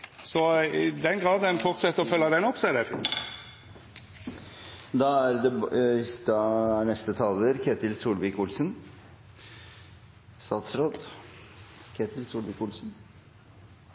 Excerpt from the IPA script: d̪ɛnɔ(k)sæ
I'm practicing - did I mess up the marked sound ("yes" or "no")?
yes